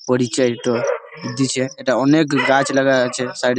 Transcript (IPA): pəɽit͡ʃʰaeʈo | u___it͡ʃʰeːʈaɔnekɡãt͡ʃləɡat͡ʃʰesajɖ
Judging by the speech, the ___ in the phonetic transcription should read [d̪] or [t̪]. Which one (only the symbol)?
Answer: d̪